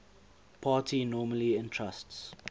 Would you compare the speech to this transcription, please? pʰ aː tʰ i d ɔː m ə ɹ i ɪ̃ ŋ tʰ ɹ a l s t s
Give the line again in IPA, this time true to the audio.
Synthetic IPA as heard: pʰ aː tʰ i n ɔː m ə l i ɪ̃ n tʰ ɹ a s t s